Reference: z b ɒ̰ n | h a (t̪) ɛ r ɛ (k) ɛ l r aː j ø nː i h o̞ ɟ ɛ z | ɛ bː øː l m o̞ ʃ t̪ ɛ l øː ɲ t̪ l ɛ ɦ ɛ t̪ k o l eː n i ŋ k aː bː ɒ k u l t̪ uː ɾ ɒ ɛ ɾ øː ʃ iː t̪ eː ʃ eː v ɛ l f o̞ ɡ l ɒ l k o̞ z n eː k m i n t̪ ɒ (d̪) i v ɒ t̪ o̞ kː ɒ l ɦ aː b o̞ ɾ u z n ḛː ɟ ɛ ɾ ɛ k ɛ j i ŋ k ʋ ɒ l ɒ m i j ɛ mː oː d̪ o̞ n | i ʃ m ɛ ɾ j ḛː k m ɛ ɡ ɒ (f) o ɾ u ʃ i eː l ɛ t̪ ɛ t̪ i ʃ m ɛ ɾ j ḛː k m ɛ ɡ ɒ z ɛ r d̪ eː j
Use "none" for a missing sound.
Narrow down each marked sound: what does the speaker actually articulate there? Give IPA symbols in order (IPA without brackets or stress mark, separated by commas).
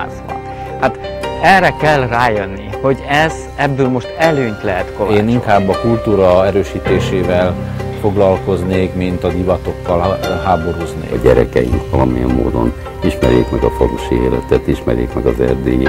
t̪, k, d̪, f